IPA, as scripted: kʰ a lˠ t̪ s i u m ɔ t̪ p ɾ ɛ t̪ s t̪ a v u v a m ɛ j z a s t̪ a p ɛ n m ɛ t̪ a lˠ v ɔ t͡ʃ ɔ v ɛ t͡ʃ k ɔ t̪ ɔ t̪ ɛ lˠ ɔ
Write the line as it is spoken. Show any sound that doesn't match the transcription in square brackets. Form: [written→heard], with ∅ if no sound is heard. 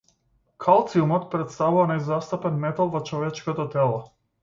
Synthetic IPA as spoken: kʰ a lˠ t̪ s i u m ɔ t̪ p ɾ ɛ t̪ s t̪ a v u v a [m→n] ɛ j z a s t̪ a p ɛ n m ɛ t̪ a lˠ v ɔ t͡ʃ ɔ v ɛ t͡ʃ k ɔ t̪ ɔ t̪ ɛ lˠ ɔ

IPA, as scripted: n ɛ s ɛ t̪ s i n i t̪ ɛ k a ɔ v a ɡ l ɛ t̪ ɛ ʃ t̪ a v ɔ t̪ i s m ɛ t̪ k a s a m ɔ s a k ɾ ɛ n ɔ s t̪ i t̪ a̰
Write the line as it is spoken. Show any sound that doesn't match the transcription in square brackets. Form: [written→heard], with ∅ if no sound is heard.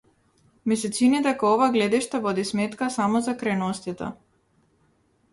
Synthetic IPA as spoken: [n→m] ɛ s ɛ t̪ s i n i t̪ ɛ k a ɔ v a ɡ l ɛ [t̪→d̪] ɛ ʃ t̪ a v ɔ [t̪→d̪] i s m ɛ t̪ k a s a m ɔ [s→z] a k ɾ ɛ n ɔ s t̪ i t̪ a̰

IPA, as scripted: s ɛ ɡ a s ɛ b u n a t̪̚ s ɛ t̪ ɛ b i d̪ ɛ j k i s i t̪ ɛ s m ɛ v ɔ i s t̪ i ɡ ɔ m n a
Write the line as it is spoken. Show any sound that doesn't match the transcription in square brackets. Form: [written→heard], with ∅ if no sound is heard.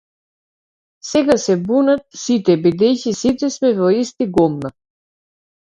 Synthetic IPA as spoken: s ɛ ɡ a s ɛ b u n a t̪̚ s [ɛ→i] t̪ ɛ b i d̪ ɛ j [k→c] i s i t̪ ɛ s m ɛ v ɔ i s t̪ i ɡ ɔ m n a

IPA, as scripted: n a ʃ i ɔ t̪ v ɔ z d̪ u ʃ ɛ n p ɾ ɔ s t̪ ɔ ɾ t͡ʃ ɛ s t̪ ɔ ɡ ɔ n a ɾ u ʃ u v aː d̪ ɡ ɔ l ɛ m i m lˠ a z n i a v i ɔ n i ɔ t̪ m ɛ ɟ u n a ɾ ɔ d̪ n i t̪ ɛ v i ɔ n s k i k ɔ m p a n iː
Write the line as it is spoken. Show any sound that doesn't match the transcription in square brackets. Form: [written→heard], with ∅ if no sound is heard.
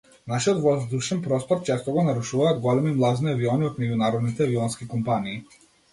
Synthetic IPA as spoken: n a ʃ i ɔ t̪ v ɔ z d̪ u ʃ ɛ n p ɾ ɔ s t̪ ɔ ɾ t͡ʃ ɛ s t̪ ɔ ɡ ɔ n a ɾ u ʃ u v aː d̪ ɡ ɔ l ɛ m i m lˠ a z n i a v i ɔ n i ɔ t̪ m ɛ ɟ u n a ɾ ɔ d̪ n i t̪ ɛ v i ɔ n s k i k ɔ m p a n iː

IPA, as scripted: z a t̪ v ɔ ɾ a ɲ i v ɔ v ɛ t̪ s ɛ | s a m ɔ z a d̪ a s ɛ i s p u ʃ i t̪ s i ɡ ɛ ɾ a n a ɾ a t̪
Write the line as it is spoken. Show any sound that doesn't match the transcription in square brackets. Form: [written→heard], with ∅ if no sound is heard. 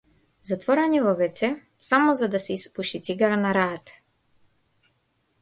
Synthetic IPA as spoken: z a t̪ v ɔ ɾ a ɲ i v ɔ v ɛ t̪ s ɛ | s a m ɔ z a d̪ a s ɛ i s p u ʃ i t̪ s i ɡ [ɛ→a] ɾ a n a ɾ a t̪

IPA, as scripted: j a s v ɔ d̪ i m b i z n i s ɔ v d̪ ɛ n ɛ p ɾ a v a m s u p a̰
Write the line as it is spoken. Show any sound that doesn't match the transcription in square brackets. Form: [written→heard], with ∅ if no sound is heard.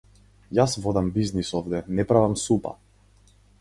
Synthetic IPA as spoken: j a s v ɔ d̪ [i→a] m b i z n i s ɔ v d̪ ɛ n ɛ p ɾ a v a m s u p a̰

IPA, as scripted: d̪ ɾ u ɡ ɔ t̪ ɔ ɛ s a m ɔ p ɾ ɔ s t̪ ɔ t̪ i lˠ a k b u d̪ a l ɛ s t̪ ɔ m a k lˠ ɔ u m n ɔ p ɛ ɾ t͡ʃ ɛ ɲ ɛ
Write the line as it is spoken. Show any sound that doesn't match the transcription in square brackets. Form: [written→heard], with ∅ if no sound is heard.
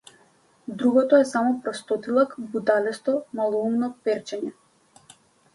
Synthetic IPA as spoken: d̪ ɾ u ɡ ɔ t̪ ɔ ɛ s a m ɔ p ɾ ɔ s t̪ ɔ t̪ i lˠ a k b u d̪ a l ɛ s t̪ ɔ m a [k→∅] lˠ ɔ u m n ɔ p ɛ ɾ t͡ʃ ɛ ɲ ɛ

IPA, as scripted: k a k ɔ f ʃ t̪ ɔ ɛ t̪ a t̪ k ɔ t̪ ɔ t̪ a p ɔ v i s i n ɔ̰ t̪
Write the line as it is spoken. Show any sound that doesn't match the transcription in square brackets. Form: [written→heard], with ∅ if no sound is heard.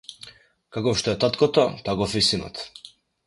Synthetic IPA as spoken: k a k ɔ f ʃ t̪ ɔ ɛ t̪ a t̪ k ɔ t̪ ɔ t̪ a [p→k] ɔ [v→f] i s i n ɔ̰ t̪

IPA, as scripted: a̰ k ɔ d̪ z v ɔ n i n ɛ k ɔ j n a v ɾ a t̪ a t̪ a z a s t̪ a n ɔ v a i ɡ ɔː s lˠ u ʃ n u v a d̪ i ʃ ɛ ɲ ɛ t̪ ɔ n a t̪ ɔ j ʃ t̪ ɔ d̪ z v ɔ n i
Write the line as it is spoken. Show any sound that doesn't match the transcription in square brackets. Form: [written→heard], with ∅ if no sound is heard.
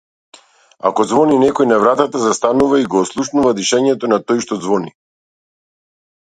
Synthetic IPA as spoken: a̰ k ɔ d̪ z v ɔ n i n ɛ k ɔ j n a v ɾ a t̪ a t̪ a z a s t̪ a n [ɔ→u] v a i ɡ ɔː s lˠ u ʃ n u v a d̪ i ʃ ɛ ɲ ɛ t̪ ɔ n a t̪ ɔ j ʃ t̪ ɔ d̪ z v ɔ n i

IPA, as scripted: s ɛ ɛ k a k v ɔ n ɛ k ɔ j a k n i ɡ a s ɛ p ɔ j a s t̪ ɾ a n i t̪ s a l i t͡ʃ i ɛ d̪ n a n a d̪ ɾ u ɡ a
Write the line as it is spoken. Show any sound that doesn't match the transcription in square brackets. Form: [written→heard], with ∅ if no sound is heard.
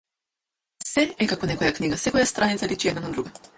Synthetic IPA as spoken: s ɛ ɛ k a k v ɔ n ɛ k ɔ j a k n i ɡ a s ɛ [p→k] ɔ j a s t̪ ɾ a n i t̪ s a l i t͡ʃ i ɛ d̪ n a n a d̪ ɾ u ɡ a

